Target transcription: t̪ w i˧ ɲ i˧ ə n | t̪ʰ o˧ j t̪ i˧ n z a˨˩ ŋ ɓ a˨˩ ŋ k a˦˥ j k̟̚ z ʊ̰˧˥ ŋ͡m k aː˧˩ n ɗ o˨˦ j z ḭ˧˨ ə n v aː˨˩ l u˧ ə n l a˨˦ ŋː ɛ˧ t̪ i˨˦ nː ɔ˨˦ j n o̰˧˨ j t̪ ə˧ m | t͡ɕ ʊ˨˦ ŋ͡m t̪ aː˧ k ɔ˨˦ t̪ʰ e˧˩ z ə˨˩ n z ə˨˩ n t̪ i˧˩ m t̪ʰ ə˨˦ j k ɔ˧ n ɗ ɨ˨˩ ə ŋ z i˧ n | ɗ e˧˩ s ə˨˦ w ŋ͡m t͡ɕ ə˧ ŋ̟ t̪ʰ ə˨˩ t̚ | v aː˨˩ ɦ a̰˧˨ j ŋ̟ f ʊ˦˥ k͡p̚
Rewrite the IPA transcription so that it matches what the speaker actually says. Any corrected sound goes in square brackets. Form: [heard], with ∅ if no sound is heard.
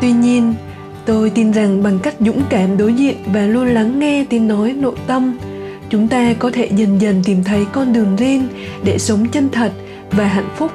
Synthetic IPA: t̪ w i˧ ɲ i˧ ə n | [t̪] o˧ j t̪ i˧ n z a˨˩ ŋ ɓ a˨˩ ŋ k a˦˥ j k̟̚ z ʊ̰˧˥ ŋ͡m k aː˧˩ [m] ɗ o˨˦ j z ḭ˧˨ ə n v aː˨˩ l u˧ ə n l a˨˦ ŋː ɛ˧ t̪ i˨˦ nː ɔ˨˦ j n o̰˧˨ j t̪ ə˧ m | t͡ɕ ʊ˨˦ ŋ͡m t̪ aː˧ k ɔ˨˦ t̪ʰ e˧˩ z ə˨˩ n z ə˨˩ n t̪ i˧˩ m t̪ʰ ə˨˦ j k ɔ˧ n ɗ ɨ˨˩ ə ŋ z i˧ n | ɗ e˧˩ s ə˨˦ w ŋ͡m t͡ɕ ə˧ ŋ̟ t̪ʰ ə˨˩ t̚ | v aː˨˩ ɦ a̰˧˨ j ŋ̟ f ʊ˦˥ k͡p̚